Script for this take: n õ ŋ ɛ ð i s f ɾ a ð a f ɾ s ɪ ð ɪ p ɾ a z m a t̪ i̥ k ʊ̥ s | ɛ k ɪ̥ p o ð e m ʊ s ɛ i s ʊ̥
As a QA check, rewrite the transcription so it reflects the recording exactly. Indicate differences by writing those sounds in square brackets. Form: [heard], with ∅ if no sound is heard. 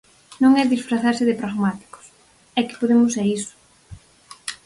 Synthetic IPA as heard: n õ ŋ ɛ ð i s f ɾ a [θ] a [∅] ɾ s ɪ ð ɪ p ɾ a [ɣ] m a t̪ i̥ k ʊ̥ s | ɛ k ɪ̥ p o ð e m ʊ s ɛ i s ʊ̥